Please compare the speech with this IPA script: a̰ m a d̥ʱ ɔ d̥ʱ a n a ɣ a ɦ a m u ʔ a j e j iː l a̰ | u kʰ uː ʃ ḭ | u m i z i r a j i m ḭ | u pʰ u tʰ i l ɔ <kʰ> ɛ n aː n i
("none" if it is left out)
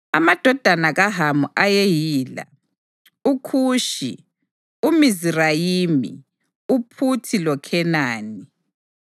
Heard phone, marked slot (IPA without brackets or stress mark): kʰ